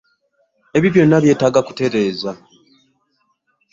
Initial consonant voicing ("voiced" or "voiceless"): voiced